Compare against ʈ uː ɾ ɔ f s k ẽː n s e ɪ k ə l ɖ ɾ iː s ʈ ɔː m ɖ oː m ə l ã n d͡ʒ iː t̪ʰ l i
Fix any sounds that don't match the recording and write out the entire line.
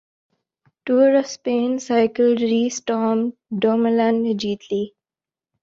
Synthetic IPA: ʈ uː ɾ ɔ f s p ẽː n s a ɪ k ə l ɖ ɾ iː s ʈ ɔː m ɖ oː m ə l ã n d͡ʒ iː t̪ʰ l i